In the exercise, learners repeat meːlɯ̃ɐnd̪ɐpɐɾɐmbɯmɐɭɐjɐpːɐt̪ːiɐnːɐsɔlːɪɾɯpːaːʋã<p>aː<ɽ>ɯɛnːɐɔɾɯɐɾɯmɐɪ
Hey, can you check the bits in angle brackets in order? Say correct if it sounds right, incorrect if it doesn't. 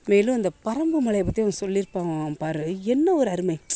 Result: correct, incorrect: ɾ

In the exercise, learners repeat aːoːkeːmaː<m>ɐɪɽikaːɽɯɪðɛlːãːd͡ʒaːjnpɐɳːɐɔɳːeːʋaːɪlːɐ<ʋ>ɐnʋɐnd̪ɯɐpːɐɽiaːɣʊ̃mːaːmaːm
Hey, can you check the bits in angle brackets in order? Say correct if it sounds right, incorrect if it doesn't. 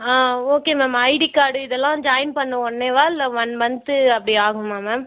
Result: correct, correct

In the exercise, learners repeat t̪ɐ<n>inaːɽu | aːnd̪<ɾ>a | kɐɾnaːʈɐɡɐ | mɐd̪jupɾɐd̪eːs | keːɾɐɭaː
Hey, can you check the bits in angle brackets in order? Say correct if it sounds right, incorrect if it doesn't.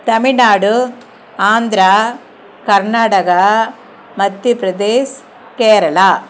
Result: incorrect: m, correct

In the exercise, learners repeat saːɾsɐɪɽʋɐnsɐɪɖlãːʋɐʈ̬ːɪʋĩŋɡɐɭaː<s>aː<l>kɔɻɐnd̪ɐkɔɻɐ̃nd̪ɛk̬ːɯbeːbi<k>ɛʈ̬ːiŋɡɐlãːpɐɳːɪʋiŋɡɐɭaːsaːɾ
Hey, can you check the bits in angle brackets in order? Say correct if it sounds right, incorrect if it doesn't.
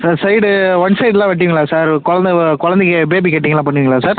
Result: correct, incorrect: ɾ, correct

